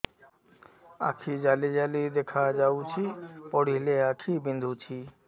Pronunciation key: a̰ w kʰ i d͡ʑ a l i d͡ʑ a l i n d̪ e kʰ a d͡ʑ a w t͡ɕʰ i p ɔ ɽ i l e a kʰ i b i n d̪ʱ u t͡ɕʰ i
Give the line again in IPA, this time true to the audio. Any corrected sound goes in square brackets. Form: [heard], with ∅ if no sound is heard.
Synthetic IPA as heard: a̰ [∅] kʰ i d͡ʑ a l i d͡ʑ a l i [∅] d̪ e kʰ a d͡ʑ a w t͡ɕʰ i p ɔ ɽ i l e a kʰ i b i n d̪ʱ u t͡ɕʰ i